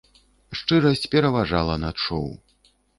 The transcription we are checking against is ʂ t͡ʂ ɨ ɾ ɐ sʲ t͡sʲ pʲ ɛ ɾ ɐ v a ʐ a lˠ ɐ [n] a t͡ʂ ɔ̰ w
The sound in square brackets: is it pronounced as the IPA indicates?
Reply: yes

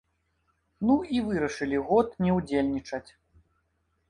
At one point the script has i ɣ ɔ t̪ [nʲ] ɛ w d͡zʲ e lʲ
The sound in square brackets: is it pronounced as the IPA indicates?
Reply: yes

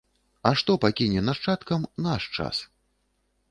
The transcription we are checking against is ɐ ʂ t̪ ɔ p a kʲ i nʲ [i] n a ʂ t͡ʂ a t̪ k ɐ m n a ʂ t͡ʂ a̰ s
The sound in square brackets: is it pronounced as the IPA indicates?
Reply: no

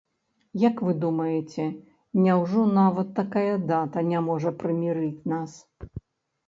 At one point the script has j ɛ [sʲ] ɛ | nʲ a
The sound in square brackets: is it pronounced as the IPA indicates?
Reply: no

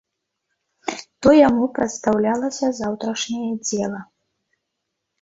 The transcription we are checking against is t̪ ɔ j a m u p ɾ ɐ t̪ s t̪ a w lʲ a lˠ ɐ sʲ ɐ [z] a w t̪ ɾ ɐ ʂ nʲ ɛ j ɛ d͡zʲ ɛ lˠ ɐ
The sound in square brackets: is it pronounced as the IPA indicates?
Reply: yes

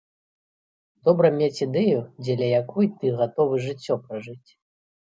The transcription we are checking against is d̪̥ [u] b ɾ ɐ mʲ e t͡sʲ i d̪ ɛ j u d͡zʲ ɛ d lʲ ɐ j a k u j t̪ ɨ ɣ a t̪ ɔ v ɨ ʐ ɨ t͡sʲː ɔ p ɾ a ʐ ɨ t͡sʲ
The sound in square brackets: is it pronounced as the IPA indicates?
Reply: no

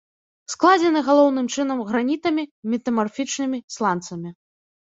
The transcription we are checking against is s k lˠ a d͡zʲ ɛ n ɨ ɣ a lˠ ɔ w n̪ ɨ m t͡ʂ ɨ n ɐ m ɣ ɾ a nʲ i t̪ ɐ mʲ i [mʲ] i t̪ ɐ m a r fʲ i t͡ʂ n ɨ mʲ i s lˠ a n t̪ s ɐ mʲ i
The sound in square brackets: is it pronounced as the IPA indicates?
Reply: yes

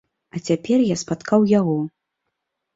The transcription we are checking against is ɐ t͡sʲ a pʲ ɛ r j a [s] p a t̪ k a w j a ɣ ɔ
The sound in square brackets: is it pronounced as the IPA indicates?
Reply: yes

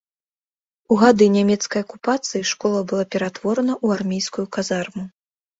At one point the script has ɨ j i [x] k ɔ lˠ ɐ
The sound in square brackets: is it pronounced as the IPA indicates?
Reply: no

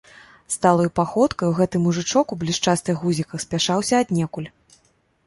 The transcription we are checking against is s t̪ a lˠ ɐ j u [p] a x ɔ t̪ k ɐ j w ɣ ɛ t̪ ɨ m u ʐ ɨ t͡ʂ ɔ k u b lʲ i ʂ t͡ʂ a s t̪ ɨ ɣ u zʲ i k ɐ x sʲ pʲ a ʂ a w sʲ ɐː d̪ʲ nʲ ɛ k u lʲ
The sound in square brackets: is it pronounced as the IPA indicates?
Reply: yes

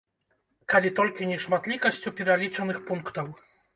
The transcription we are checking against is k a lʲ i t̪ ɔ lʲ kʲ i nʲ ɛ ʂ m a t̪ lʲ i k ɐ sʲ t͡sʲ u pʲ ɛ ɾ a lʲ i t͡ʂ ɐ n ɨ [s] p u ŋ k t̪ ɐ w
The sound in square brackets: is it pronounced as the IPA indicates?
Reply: no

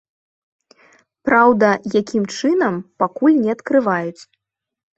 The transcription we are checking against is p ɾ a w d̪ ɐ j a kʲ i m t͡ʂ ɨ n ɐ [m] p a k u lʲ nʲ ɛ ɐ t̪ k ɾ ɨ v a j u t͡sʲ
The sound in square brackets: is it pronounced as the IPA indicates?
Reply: yes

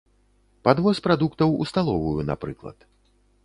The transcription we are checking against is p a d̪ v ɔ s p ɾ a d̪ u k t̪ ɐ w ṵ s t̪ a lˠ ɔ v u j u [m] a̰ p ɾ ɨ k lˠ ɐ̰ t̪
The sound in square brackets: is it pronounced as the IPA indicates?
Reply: no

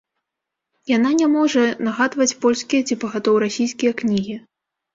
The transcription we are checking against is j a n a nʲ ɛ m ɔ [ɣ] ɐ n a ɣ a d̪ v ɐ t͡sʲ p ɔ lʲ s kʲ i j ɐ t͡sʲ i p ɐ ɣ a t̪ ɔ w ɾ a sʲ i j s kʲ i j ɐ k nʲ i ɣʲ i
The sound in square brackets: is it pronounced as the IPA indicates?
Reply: no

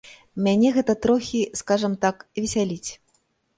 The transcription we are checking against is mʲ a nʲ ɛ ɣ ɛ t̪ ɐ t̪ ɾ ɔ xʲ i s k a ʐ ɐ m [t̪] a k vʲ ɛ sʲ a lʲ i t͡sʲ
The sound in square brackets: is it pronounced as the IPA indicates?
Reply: yes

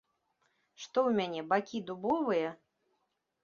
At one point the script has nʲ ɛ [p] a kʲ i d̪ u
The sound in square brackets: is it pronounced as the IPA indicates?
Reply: no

